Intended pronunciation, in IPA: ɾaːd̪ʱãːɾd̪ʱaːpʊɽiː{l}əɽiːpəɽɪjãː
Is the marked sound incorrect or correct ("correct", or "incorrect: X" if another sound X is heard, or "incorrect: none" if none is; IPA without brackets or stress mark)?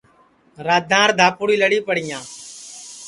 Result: correct